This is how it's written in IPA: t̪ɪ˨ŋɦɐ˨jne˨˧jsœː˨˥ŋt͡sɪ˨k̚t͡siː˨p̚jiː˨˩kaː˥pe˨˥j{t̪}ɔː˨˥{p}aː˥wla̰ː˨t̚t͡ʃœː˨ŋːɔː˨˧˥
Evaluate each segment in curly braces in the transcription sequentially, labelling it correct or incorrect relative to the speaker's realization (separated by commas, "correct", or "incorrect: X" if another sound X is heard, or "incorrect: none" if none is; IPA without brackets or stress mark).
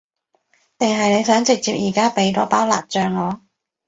correct, correct